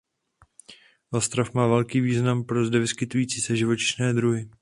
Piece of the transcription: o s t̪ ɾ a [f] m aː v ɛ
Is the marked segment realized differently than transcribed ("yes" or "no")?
no